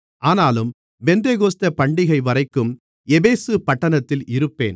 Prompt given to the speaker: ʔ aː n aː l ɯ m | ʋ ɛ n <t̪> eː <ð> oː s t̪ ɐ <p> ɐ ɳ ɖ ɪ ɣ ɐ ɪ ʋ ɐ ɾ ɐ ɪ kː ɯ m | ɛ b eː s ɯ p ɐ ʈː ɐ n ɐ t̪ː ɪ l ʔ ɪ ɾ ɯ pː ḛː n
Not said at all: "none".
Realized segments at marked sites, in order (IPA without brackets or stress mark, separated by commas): d̪, ɣ, p